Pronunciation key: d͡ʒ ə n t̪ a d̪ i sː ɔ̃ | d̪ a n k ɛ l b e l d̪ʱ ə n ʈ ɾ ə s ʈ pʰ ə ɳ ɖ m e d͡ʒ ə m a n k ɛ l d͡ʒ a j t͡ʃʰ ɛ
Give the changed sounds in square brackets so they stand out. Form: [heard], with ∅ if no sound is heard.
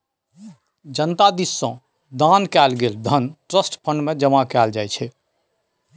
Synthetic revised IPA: d͡ʒ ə n t̪ a d̪ i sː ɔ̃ | d̪ a n k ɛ l [ɡ] e l d̪ʱ ə n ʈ ɾ ə s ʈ pʰ ə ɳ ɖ m e d͡ʒ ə m a [∅] k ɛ l d͡ʒ a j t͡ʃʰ ɛ